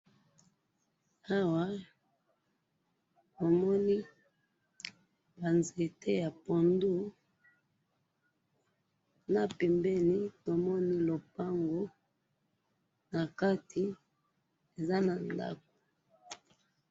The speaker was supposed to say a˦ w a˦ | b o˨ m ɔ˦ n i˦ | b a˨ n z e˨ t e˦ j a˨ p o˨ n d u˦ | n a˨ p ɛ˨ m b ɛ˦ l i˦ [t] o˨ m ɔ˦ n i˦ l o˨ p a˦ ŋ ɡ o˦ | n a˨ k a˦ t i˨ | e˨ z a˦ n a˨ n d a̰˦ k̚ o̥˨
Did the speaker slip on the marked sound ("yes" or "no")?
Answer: no